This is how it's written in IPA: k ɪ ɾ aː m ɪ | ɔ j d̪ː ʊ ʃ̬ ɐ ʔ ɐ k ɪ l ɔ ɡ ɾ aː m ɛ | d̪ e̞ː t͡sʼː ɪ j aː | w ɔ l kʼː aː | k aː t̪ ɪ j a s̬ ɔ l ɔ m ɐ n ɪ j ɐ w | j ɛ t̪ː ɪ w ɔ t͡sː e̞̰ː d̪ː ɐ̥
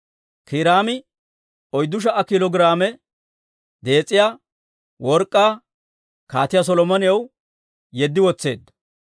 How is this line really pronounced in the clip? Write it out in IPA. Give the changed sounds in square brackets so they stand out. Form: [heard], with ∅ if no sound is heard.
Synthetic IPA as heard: k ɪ ɾ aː m ɪ | ɔ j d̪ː ʊ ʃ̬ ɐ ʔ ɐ k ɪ l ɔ ɡ ɾ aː m ɛ | d̪ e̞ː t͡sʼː ɪ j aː | w ɔ [ɾ] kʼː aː | k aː t̪ ɪ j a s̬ ɔ l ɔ m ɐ n ɪ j ɐ w | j ɛ [d̪ː] ɪ w ɔ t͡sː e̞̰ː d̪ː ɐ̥